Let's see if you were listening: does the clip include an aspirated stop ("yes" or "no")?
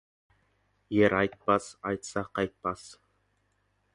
no